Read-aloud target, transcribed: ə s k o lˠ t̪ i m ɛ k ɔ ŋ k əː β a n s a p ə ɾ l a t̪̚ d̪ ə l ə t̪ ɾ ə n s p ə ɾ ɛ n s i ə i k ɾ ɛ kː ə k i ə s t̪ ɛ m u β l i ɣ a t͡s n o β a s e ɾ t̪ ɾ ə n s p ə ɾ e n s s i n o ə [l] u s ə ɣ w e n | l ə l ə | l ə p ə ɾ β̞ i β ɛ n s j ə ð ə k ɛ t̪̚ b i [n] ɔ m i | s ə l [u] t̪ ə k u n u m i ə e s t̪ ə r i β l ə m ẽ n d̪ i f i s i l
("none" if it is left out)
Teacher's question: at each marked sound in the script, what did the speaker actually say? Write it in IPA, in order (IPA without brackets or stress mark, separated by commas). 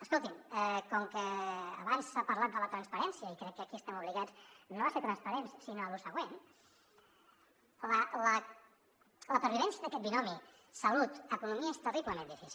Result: l, n, u